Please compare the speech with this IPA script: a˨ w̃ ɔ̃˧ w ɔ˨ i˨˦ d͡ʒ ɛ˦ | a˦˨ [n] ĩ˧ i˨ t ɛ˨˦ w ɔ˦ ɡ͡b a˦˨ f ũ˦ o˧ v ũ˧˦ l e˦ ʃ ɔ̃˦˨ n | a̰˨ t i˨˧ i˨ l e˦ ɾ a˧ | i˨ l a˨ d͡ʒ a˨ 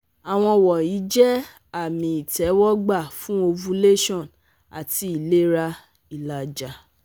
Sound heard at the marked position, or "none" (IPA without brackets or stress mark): m